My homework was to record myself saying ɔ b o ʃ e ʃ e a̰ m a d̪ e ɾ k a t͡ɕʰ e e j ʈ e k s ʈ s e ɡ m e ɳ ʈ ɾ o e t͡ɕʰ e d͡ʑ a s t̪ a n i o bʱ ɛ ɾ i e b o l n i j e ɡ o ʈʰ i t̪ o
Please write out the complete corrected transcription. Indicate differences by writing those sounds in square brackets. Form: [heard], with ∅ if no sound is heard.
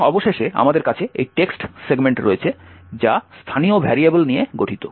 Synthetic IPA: ɔ b o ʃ e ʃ e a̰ m a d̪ e ɾ k a t͡ɕʰ e e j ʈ e k s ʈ s e ɡ m e ɳ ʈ ɾ o e t͡ɕʰ e d͡ʑ a s [t̪ʰ] a n i o bʱ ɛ ɾ i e b o l n i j e ɡ o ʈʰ i t̪ o